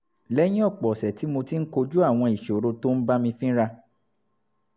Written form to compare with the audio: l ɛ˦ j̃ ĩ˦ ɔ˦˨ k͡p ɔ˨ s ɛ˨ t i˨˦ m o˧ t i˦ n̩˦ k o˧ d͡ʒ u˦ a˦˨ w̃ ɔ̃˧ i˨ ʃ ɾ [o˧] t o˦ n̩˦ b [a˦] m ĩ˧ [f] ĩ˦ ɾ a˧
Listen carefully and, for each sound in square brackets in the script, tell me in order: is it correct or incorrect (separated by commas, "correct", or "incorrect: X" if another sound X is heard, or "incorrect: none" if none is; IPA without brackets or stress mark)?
correct, correct, correct